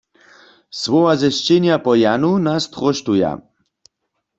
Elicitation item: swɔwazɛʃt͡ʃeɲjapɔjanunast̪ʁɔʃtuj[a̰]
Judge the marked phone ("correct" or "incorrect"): correct